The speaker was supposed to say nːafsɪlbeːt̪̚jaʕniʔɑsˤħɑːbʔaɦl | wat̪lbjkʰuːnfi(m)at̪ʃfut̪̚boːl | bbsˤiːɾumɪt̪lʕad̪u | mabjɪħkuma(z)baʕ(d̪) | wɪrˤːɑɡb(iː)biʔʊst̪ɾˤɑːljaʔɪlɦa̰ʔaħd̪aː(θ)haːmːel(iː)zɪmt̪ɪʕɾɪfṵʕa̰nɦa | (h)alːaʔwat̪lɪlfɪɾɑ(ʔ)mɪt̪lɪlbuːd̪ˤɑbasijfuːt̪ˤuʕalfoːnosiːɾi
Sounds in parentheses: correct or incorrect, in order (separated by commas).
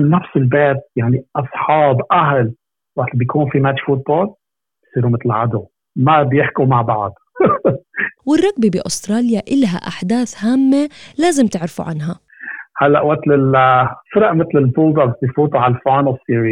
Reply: correct, incorrect, correct, incorrect, correct, incorrect, correct, correct